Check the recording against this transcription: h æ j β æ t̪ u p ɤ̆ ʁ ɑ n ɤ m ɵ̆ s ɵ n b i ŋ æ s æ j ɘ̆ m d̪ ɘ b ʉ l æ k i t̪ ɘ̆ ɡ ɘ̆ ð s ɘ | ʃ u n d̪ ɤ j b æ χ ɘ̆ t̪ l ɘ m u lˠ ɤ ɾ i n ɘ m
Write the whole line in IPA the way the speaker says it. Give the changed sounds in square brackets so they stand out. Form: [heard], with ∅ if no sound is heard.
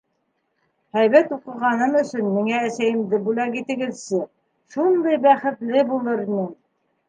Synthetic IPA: h æ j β æ t̪ u [q] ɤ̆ ʁ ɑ n ɤ m ɵ̆ s ɵ n [m] i ŋ [æː] s æ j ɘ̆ m d̪ ɘ b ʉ l æ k i t̪ ɘ̆ ɡ ɘ̆ ð s ɘ | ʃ u n d̪ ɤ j b æ χ ɘ̆ t̪ l ɘ [b] u lˠ ɤ ɾ i n ɘ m